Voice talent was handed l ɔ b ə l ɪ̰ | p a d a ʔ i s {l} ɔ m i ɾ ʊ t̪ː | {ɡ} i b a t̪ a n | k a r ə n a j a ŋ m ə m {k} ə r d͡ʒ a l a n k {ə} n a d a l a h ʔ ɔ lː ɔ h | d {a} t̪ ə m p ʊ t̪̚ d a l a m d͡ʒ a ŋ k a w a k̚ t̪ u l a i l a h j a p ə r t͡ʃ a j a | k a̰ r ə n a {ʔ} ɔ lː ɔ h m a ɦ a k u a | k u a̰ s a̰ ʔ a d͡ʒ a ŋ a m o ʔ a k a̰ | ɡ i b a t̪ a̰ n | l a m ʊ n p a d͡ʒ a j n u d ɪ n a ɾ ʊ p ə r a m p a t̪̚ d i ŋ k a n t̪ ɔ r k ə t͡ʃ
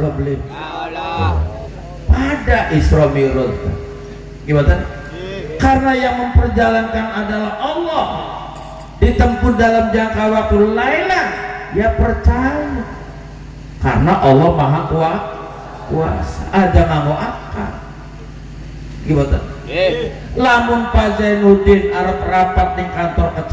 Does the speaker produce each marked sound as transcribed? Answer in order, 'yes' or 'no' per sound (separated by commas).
no, yes, no, no, no, yes